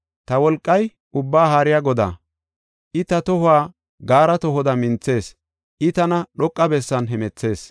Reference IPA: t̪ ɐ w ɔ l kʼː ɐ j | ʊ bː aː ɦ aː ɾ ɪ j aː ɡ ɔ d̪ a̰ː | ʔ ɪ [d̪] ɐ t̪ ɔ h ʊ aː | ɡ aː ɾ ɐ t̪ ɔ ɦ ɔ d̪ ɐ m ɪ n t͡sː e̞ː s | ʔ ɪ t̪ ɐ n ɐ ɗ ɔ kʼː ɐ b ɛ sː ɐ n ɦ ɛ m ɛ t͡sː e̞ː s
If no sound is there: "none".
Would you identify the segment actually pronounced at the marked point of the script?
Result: t̪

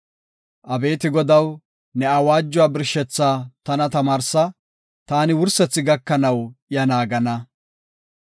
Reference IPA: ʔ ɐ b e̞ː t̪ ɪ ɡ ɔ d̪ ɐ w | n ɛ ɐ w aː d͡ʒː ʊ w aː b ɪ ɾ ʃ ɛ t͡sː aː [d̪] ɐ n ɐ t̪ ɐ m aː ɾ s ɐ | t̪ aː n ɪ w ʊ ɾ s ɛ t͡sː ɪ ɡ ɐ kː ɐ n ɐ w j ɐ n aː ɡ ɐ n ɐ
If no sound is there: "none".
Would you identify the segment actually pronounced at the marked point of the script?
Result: t̪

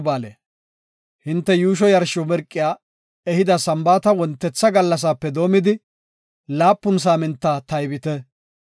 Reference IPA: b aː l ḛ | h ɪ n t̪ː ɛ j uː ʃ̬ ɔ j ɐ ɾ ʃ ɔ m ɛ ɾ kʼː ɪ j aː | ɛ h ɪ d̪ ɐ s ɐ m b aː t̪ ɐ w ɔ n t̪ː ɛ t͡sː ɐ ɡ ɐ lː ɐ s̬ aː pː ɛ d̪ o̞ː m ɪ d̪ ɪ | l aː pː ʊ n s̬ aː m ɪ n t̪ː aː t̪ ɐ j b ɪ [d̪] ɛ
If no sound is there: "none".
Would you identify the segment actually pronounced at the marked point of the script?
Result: t̪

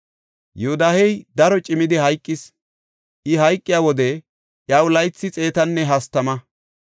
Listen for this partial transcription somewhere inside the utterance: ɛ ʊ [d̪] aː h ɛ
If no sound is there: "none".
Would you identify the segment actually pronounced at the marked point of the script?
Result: d̪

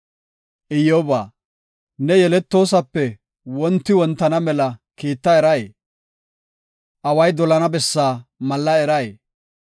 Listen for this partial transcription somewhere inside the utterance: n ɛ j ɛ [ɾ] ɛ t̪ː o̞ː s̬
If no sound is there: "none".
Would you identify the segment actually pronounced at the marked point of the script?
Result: l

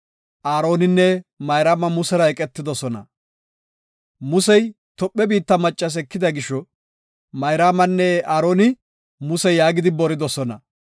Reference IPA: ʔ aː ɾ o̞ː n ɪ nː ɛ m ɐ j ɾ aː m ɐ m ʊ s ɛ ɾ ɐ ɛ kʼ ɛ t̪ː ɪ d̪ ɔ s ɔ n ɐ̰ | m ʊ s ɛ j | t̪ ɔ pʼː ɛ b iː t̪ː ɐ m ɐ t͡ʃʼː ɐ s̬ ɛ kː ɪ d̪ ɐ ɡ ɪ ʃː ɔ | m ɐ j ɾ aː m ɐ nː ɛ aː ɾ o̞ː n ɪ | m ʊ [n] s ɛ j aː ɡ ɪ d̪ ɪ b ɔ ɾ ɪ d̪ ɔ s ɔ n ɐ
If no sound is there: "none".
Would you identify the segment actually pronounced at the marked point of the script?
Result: none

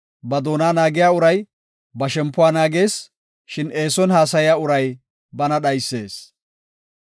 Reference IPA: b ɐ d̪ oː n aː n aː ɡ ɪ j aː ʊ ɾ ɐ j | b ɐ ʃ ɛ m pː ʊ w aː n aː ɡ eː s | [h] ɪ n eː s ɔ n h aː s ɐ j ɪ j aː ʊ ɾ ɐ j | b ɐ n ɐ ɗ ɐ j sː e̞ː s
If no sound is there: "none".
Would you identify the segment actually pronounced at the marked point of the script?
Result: ʃ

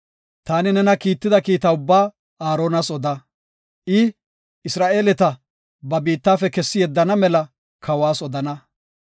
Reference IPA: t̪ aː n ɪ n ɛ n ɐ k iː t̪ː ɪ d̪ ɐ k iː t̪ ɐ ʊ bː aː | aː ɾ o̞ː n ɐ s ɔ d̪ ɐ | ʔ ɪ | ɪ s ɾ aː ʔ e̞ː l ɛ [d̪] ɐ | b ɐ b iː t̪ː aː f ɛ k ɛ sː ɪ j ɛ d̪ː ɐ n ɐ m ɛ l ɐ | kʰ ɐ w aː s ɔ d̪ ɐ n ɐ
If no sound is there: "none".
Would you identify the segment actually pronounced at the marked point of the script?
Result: t̪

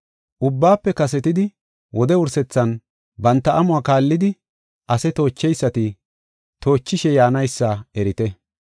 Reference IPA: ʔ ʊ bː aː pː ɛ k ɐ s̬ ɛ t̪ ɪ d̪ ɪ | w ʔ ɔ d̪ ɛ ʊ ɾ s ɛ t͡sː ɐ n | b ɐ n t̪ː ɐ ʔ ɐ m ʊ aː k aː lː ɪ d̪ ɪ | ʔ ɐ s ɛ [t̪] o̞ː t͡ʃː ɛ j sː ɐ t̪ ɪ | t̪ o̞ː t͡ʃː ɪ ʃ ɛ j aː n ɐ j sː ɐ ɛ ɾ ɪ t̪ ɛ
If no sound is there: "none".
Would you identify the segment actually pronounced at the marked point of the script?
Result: t̪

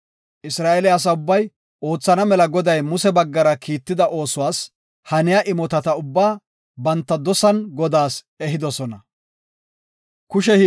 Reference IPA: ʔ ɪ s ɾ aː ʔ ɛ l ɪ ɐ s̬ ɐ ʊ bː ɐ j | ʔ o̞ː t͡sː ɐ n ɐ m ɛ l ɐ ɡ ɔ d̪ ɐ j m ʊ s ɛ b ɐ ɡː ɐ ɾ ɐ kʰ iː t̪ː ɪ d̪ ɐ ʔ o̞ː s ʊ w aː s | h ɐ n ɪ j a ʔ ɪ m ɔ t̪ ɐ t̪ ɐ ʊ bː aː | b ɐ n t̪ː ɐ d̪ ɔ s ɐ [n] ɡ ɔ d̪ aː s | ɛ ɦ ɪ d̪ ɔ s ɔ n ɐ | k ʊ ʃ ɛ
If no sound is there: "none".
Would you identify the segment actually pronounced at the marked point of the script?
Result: n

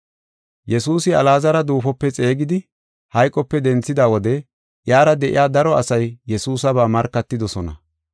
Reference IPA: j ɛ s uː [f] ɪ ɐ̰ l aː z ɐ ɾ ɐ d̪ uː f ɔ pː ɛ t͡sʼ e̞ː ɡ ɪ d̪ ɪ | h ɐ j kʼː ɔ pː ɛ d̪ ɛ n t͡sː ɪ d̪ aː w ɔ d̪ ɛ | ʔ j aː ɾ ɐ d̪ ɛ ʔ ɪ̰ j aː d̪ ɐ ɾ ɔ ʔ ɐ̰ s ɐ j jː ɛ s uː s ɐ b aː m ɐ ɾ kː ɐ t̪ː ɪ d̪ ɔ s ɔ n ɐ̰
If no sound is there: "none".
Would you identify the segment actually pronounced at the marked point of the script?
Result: s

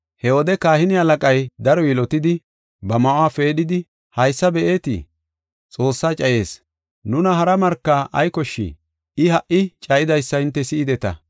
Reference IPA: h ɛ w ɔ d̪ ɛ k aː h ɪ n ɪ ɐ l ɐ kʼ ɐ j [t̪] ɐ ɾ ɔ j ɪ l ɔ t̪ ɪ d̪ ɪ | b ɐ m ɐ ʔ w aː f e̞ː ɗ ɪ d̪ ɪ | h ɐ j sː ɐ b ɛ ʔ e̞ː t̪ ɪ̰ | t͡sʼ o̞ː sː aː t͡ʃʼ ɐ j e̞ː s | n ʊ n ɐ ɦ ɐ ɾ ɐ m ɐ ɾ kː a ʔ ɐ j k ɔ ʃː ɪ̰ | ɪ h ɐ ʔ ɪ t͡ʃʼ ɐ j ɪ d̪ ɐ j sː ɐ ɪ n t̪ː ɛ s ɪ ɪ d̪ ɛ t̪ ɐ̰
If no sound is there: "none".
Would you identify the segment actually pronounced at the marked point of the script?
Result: d̪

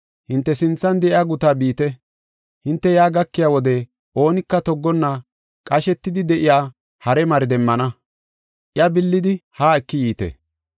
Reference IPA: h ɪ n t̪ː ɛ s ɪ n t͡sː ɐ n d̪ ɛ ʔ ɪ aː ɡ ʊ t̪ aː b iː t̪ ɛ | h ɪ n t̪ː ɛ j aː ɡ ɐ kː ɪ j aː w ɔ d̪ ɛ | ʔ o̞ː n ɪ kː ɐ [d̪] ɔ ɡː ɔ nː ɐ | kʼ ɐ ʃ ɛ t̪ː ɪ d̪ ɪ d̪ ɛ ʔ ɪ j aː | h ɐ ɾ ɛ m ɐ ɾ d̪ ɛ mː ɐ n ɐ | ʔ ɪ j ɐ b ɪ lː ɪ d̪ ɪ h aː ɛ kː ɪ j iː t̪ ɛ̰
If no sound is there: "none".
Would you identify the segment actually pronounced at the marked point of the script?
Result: t̪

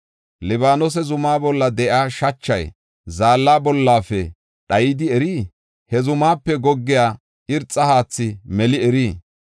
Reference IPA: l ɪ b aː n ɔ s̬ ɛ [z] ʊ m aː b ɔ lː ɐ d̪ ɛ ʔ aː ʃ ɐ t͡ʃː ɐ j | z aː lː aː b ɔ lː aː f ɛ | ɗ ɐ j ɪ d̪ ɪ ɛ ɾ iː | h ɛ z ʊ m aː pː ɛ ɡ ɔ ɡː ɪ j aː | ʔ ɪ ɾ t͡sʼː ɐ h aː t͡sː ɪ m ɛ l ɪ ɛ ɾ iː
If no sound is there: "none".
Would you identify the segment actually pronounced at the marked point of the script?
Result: z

